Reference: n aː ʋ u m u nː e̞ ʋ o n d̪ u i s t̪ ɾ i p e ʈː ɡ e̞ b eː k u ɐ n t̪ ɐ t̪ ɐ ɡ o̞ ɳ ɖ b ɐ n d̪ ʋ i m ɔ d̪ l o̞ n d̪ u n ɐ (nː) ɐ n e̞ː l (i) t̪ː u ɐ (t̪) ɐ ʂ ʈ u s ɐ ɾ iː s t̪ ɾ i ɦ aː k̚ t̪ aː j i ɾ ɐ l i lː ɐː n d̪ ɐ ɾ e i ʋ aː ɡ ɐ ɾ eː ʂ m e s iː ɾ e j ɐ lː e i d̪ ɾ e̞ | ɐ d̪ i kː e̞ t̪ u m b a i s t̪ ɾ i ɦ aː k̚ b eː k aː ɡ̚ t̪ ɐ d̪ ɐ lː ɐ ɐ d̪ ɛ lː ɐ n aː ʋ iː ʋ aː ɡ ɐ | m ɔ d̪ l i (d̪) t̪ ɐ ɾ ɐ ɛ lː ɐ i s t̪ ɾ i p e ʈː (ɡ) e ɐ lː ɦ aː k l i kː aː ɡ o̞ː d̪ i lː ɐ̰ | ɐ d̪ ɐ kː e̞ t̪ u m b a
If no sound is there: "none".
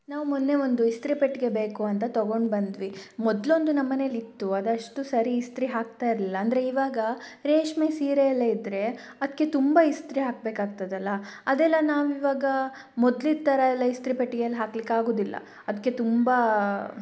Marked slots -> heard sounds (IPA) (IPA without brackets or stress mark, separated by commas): mː, i, d̪, d̪, ɡ